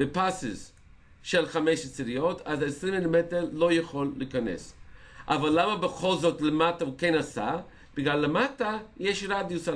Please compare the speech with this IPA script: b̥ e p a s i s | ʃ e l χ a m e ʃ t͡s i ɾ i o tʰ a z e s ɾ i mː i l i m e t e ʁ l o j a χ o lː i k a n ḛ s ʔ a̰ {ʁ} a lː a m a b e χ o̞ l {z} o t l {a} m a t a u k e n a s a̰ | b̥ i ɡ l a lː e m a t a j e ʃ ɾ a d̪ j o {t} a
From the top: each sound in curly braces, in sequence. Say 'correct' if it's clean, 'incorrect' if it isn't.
incorrect: v, correct, incorrect: e, incorrect: s

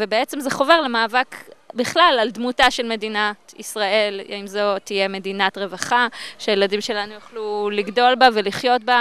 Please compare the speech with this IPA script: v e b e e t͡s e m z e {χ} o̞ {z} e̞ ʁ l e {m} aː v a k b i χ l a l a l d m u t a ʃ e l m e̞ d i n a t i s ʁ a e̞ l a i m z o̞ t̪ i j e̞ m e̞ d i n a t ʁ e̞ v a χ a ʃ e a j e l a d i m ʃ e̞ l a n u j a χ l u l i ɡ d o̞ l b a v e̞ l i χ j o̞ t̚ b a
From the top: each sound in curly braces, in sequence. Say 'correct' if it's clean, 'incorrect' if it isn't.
correct, incorrect: v, correct

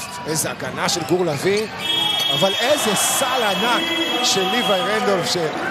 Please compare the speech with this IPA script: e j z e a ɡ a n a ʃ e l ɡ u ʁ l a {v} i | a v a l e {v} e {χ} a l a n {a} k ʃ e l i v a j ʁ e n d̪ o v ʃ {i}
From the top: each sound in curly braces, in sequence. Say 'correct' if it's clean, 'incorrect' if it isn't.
correct, incorrect: z, incorrect: s, correct, incorrect: e

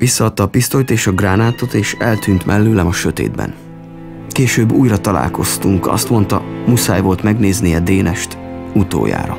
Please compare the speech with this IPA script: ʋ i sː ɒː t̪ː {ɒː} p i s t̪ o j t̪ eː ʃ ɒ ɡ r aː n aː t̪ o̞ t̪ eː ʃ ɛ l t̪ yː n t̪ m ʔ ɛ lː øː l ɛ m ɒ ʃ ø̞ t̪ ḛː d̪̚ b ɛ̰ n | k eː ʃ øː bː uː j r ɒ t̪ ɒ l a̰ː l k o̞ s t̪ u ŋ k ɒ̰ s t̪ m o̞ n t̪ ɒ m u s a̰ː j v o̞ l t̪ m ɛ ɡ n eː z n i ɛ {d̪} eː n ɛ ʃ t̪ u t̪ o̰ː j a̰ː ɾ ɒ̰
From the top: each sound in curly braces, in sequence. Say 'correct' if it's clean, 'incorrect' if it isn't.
correct, correct

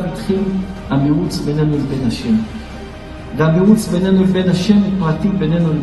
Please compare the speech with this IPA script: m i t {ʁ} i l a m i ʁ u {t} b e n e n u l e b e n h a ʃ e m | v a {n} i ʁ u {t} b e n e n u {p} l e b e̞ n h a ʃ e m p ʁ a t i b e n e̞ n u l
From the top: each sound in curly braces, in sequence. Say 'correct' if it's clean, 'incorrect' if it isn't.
incorrect: χ, incorrect: t͡s, incorrect: m, incorrect: t͡s, incorrect: none

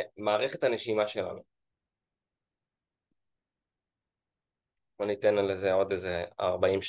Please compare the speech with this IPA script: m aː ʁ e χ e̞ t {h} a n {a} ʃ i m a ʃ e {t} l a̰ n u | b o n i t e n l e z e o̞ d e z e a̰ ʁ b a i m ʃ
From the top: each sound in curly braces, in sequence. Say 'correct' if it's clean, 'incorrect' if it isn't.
correct, incorrect: e, incorrect: none

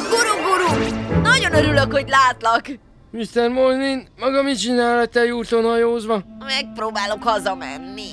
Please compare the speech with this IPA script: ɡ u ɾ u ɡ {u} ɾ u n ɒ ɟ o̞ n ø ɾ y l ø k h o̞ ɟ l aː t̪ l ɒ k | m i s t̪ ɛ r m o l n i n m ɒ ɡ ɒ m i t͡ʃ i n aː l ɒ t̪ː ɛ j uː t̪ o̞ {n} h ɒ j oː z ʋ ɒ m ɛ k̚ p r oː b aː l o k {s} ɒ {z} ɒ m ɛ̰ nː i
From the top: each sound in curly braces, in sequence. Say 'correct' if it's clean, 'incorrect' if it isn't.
correct, correct, incorrect: h, correct

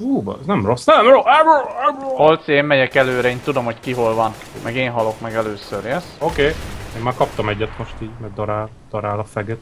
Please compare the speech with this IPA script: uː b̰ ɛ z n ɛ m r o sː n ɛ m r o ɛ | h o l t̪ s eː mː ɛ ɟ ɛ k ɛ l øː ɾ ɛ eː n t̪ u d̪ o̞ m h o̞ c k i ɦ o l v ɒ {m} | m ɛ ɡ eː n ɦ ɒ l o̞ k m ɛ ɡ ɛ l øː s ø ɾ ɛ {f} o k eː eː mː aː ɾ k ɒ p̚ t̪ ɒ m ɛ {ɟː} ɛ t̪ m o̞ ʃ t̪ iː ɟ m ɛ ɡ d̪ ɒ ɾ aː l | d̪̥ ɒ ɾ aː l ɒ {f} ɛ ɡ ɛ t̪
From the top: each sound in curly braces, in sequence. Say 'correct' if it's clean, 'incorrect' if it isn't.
incorrect: n, incorrect: s, correct, correct

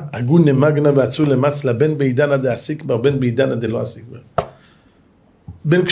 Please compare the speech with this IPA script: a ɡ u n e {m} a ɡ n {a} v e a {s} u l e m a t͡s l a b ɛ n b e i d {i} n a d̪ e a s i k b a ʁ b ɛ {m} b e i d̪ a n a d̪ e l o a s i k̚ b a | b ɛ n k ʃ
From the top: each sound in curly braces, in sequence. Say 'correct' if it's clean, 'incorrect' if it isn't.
correct, correct, incorrect: t͡s, incorrect: a, incorrect: n

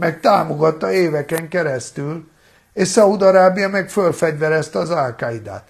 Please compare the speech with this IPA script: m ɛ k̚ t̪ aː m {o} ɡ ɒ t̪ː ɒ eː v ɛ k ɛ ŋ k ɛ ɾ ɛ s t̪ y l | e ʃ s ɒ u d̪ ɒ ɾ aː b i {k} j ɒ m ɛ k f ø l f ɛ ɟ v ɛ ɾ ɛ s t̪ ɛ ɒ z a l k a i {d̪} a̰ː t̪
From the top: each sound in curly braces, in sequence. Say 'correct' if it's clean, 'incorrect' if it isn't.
correct, incorrect: none, correct

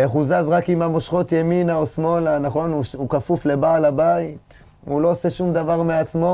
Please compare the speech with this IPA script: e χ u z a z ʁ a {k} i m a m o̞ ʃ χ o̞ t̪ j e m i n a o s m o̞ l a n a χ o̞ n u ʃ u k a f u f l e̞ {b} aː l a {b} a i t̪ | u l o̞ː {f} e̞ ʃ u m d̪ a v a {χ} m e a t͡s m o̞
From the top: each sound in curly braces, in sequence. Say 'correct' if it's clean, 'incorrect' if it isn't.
correct, correct, correct, incorrect: s, incorrect: ʁ

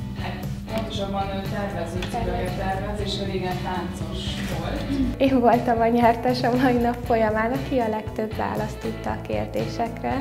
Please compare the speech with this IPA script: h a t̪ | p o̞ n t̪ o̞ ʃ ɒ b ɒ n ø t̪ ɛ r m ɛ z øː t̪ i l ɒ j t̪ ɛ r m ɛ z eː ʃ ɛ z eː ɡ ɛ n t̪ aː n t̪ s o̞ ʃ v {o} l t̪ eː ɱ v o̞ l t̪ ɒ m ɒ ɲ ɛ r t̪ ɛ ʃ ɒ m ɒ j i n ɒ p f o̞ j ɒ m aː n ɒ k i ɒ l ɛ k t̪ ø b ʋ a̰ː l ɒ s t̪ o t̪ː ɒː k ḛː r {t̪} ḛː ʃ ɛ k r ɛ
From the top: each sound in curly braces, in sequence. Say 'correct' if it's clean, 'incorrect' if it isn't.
correct, incorrect: d̪

